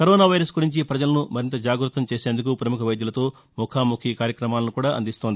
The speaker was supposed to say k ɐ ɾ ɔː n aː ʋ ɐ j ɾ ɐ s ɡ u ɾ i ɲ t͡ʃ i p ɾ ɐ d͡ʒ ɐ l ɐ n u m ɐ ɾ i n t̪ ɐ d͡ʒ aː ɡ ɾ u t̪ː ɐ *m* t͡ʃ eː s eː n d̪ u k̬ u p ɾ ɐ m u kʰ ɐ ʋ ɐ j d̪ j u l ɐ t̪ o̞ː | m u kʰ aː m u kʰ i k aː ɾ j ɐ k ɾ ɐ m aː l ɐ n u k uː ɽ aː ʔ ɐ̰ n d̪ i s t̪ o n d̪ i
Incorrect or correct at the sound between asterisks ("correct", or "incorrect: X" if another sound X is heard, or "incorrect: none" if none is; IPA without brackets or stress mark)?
correct